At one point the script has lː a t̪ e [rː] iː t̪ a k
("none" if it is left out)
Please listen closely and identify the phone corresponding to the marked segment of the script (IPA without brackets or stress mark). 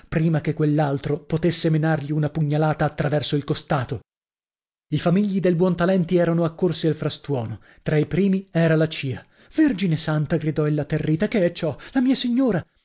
rː